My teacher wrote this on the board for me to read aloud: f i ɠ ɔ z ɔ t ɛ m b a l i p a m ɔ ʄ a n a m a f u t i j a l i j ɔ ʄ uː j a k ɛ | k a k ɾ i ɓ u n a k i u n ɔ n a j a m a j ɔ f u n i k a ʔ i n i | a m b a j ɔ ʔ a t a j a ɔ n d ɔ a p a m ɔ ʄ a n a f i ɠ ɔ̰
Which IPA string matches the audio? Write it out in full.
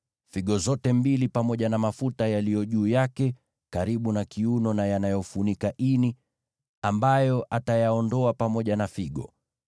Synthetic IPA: f i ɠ ɔ z ɔ t ɛ m b i l i p a m ɔ ʄ a n a m a f u t a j a l i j ɔ ʄ uː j a k ɛ | k a ɾ i ɓ u n a k i u n ɔ n a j a n a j ɔ f u n i k a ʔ i n i | a m b a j ɔ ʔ a t a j a ɔ n d ɔ a p a m ɔ ʄ a n a f i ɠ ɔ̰